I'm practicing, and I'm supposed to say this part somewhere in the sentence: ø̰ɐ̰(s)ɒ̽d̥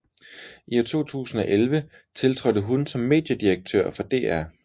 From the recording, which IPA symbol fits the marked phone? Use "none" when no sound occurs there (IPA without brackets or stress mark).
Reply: f